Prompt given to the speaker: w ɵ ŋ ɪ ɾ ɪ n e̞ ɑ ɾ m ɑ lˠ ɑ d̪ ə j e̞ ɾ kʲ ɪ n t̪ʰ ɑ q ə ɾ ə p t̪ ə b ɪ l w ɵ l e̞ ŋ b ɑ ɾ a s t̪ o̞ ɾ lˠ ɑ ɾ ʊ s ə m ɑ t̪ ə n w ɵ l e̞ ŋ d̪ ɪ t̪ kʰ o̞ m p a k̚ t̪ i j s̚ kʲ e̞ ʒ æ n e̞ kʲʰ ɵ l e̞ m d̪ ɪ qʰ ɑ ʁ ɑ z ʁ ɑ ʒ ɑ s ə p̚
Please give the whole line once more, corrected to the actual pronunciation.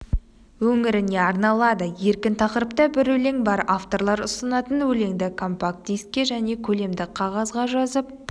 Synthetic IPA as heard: w ɵ ŋ ɪ ɾ ɪ n e̞ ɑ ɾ n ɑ lˠ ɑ d̪ ə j e̞ ɾ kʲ ɪ n t̪ʰ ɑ q ə ɾ ə p t̪ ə b ɪ ɾ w ɵ l e̞ ŋ b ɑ ɾ a f t̪ o̞ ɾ lˠ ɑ ɾ ʊ s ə n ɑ t̪ ə n w ɵ l e̞ ŋ d̪ ɪ kʰ o̞ m p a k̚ t̪ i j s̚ kʲ e̞ ʒ æ n e̞ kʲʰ ɵ l e̞ m d̪ ɪ qʰ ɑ ʁ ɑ z ʁ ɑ ʒ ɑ z ə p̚